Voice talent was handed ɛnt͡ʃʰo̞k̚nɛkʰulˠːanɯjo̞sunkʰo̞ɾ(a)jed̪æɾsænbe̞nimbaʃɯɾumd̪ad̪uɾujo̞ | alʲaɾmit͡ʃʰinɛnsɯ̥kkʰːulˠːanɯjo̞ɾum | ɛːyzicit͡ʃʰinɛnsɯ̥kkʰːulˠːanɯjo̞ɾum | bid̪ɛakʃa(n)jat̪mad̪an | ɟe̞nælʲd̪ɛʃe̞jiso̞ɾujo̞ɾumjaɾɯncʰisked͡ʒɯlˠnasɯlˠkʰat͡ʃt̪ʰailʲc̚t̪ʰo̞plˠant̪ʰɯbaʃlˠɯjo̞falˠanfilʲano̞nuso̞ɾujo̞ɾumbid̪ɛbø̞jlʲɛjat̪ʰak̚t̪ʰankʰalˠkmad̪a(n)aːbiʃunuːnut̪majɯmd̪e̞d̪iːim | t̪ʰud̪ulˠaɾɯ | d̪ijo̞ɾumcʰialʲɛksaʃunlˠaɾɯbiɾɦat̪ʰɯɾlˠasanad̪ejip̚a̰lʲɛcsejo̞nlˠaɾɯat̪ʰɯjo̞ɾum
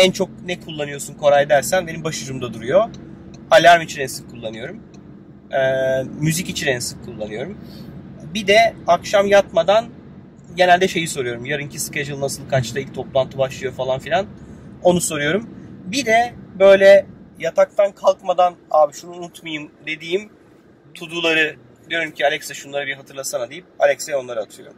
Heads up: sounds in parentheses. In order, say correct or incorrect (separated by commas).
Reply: correct, incorrect, correct